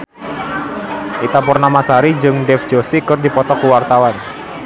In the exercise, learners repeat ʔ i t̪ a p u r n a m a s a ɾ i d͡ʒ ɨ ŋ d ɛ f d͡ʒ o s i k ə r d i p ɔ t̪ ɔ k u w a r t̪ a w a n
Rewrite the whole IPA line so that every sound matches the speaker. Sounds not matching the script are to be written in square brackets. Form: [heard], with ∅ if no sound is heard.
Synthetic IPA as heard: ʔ i t̪ a p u r n a m a s a ɾ i d͡ʒ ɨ ŋ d ɛ f d͡ʒ o s i k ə r d i p ɔ t̪ ɔ k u w a r t̪ a w a n

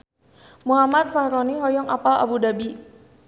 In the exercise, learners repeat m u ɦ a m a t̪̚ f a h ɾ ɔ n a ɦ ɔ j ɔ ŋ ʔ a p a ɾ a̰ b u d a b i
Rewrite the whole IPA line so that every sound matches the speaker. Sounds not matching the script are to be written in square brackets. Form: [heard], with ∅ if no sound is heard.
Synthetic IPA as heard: m u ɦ a m a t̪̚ f a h ɾ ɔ n [i] ɦ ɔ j ɔ ŋ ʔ a p a [l] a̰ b u d a b i

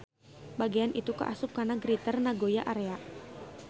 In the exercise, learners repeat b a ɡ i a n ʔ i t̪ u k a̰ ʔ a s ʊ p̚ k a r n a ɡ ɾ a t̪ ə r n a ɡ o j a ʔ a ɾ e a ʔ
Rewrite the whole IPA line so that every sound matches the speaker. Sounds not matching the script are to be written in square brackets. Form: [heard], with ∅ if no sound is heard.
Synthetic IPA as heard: b a ɡ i a n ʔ i t̪ u k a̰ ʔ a s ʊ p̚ k a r n a ɡ ɾ [i] t̪ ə r n a ɡ o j a ʔ a ɾ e a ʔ

